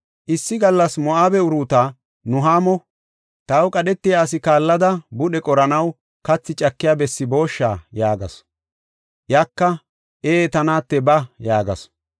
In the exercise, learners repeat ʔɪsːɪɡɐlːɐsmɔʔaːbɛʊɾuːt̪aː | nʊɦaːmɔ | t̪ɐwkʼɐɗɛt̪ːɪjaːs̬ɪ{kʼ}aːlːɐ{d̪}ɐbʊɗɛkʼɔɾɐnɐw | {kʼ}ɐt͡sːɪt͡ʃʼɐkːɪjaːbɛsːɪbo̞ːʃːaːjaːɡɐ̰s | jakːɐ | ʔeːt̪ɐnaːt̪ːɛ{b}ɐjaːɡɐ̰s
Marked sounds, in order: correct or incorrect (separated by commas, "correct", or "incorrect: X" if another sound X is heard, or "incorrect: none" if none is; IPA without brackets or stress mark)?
incorrect: k, correct, incorrect: k, correct